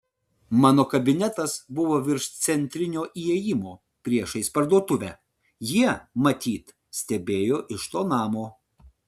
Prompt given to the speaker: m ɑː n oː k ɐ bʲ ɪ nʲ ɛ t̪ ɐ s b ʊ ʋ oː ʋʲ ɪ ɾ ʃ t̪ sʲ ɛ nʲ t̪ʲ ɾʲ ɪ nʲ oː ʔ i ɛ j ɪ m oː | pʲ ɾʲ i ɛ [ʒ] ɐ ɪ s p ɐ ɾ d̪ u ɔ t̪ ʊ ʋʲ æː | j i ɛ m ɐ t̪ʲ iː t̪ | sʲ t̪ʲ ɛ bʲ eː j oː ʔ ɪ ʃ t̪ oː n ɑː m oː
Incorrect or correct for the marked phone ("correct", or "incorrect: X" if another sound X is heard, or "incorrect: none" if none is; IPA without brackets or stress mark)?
incorrect: ʃ